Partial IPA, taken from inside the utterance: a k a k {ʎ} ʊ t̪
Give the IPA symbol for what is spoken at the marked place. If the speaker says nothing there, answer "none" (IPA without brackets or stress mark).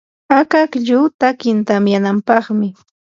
ʎ